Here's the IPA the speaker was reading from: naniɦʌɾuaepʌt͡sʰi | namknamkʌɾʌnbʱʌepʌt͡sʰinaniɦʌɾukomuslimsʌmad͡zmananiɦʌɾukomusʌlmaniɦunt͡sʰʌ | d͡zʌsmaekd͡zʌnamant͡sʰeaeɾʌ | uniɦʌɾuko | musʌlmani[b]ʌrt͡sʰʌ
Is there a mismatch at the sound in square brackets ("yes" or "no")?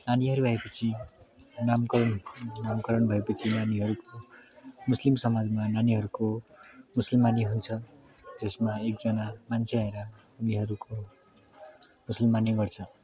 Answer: yes